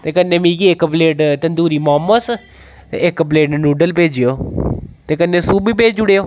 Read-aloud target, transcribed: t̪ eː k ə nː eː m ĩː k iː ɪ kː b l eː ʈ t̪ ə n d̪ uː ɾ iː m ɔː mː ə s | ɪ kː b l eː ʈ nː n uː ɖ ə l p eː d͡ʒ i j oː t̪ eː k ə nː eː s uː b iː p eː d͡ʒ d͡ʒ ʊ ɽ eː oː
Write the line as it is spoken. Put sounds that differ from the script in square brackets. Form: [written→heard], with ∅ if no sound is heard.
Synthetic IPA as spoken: t̪ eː k ə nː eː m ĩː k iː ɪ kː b l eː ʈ t̪ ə n d̪ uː ɾ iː m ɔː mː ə s | ɪ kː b l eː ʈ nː n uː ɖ ə l p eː d͡ʒ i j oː t̪ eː k ə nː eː s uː b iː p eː d͡ʒ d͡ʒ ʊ ɽ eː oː